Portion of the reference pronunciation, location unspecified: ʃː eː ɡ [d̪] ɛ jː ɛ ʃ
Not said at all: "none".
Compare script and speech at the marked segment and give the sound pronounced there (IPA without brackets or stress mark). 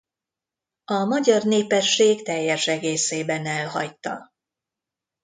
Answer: t̪